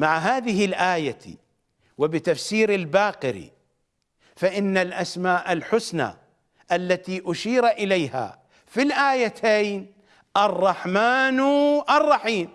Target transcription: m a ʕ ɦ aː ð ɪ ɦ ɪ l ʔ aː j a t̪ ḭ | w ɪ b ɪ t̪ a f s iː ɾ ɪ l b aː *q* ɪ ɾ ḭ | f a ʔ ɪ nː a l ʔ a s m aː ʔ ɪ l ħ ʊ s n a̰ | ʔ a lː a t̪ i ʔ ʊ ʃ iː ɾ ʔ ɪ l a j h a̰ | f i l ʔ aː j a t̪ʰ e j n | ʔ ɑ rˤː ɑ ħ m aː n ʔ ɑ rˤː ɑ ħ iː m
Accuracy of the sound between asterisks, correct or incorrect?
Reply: correct